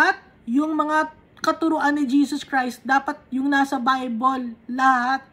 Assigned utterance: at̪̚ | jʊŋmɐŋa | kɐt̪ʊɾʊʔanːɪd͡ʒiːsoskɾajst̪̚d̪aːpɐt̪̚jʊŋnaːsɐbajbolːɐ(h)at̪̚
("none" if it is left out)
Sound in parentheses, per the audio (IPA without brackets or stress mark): h